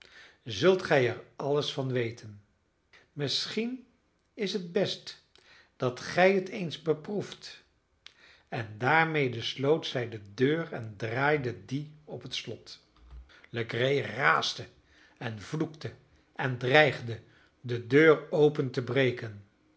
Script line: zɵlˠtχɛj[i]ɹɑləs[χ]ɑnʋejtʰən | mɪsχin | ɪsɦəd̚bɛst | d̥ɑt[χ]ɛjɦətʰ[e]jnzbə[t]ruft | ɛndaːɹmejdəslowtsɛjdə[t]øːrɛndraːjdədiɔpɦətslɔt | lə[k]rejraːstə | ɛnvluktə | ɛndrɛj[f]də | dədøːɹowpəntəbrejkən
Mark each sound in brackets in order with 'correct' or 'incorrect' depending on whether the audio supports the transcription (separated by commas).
incorrect, incorrect, correct, correct, incorrect, incorrect, incorrect, incorrect